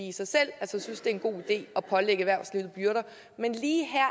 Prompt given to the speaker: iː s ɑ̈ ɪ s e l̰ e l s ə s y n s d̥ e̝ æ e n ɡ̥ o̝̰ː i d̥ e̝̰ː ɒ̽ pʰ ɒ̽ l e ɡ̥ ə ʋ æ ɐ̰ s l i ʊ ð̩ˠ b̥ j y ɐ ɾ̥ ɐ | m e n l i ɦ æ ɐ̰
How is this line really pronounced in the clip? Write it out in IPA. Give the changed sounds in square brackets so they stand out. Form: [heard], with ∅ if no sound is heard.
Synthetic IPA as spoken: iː s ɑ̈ ɪ s e l̰ [æ] l s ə s y n s d̥ e̝ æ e n ɡ̥ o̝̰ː i d̥ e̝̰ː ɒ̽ pʰ ɒ̽ l e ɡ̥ ə ʋ æ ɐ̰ s l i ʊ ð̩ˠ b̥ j y ɐ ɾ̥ ɐ | m e n l [iː] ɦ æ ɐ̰